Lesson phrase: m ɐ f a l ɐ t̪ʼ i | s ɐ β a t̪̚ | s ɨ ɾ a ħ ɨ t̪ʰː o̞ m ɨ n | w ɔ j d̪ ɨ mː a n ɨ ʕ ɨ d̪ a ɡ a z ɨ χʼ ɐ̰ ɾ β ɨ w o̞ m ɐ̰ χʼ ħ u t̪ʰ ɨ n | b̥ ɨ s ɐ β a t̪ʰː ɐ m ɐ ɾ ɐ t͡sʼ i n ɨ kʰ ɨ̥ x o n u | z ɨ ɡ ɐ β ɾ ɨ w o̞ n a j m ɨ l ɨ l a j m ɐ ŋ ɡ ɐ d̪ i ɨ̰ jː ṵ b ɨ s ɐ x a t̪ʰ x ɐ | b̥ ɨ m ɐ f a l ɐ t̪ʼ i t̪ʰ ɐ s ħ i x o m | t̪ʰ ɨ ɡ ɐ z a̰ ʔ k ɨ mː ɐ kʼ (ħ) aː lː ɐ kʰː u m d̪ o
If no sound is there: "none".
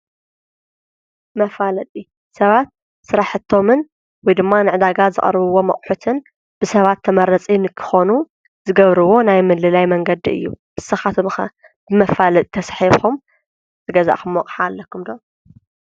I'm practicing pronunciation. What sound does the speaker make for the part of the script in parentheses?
ħ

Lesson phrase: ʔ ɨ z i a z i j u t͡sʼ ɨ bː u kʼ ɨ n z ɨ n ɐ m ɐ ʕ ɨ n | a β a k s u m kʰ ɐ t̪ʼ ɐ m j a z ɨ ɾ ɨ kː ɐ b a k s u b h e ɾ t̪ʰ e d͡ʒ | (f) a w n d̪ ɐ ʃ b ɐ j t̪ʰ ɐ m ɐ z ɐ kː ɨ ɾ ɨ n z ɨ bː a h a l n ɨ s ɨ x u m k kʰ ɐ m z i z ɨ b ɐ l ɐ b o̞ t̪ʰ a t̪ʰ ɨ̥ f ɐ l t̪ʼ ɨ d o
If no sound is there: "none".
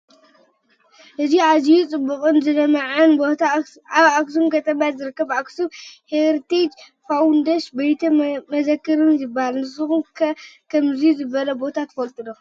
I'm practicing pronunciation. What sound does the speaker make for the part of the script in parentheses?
f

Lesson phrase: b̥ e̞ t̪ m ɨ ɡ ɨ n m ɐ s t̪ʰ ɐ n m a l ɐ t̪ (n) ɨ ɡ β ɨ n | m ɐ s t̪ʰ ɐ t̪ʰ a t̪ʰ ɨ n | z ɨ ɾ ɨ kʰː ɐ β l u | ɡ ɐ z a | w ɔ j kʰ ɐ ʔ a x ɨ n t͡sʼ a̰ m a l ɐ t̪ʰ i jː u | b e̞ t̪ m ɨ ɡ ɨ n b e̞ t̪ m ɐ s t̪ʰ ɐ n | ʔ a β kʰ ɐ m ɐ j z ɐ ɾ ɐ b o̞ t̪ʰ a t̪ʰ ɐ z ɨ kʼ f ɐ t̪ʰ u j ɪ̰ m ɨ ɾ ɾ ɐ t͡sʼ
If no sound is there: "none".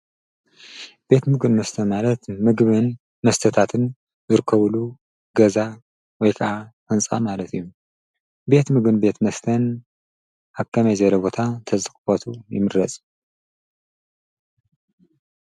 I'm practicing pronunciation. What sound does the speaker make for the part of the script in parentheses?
m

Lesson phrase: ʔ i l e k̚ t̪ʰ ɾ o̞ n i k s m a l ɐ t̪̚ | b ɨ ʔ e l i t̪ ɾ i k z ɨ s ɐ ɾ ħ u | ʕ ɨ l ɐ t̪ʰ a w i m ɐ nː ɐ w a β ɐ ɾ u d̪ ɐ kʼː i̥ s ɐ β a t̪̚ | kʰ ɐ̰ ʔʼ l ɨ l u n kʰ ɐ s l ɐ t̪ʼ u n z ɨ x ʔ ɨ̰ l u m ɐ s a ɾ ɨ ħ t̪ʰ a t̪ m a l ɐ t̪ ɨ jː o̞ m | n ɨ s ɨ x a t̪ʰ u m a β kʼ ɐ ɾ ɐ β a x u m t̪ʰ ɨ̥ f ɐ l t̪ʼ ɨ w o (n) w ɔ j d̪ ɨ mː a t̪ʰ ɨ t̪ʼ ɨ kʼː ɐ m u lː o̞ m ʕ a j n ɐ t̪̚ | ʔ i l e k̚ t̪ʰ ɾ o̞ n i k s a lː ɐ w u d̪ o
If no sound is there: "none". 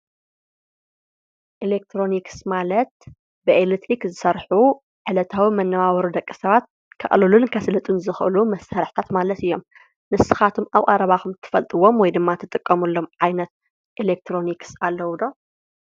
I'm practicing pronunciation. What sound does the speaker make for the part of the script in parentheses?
m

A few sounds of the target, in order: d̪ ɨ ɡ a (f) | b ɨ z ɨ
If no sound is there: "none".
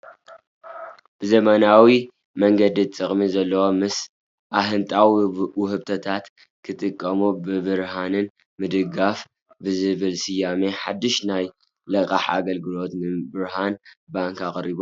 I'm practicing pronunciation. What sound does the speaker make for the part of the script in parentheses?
f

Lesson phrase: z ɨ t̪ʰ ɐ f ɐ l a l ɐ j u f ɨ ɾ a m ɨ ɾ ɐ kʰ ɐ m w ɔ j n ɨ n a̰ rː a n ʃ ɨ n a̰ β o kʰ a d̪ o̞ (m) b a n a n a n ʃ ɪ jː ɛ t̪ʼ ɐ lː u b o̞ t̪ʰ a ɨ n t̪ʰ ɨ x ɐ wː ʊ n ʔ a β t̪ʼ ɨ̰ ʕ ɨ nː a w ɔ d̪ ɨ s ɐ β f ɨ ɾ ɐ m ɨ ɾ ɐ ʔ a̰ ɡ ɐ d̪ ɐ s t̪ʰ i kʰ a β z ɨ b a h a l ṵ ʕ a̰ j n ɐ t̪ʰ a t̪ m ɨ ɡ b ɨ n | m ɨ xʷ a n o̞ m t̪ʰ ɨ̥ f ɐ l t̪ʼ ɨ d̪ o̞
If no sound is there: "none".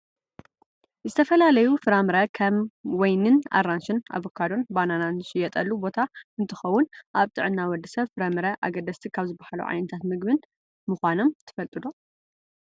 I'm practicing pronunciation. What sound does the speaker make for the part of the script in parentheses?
n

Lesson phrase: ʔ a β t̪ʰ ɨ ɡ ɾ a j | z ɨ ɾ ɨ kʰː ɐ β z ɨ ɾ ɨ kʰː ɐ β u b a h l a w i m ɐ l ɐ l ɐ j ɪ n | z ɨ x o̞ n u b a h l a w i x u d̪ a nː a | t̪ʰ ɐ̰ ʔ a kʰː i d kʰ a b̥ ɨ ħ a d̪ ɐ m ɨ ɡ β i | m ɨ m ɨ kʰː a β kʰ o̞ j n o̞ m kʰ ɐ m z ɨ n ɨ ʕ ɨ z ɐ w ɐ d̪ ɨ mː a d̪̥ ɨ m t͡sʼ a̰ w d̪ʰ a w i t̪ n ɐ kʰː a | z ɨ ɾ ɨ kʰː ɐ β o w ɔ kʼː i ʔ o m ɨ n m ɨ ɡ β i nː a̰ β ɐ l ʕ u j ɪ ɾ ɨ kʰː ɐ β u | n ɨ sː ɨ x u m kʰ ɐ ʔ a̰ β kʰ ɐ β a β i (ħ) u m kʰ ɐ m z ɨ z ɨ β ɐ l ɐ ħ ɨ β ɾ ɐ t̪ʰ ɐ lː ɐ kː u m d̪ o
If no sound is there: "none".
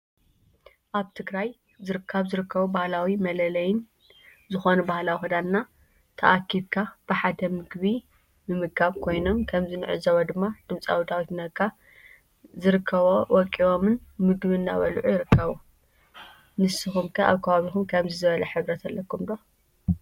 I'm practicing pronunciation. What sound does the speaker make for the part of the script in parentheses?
x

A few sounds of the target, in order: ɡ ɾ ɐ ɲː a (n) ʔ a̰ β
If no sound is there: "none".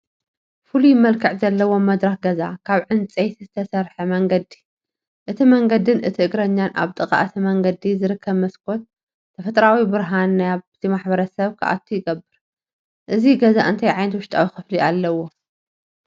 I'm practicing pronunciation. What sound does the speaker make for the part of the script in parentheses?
n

